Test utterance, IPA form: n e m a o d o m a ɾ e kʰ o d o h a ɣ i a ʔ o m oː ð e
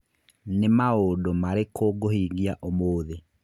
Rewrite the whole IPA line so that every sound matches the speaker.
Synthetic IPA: n e m a o d o m a ɾ e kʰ o ɡ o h i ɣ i a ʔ o m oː ð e